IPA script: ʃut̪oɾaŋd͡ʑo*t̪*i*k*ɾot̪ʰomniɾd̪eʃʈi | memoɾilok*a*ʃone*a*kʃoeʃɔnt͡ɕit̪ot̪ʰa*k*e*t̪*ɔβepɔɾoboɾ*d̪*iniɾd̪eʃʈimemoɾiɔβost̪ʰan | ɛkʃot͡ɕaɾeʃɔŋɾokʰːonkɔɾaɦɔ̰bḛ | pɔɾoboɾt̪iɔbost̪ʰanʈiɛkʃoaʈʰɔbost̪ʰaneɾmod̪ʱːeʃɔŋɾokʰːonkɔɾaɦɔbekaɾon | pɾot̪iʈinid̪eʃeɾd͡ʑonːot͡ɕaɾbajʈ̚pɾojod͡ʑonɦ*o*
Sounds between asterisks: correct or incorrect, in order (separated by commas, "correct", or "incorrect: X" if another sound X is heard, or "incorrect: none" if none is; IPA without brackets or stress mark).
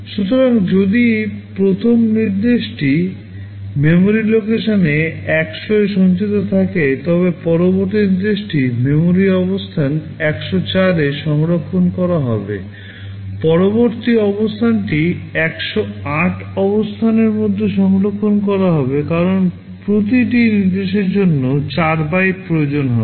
incorrect: d̪, incorrect: p, incorrect: e, incorrect: ɛ, correct, correct, incorrect: t̪, incorrect: ɔ